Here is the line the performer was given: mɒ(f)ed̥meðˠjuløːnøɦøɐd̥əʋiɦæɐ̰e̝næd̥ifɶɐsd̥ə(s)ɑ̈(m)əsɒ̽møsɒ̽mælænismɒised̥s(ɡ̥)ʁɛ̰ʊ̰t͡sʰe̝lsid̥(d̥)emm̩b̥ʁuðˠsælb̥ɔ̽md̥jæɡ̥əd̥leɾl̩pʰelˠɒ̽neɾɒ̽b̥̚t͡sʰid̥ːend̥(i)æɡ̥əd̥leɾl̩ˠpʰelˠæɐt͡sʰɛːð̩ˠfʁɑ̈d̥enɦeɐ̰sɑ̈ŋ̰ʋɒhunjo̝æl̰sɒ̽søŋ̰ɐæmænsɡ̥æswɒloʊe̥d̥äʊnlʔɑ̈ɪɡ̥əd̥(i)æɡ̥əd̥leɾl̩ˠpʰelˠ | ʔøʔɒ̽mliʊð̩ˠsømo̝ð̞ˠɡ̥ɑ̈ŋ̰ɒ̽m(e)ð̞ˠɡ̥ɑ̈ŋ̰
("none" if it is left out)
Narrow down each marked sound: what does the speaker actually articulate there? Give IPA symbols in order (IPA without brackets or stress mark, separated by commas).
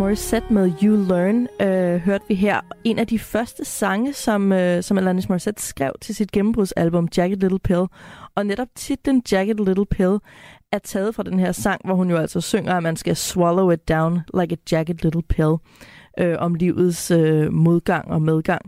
s, s, ŋ, ɡ̥, ɡ̥, j, j, e